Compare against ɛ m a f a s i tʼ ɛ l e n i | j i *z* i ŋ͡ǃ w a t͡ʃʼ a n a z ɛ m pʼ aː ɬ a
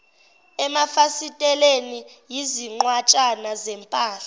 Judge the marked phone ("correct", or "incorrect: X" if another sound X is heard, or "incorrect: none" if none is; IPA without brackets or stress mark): correct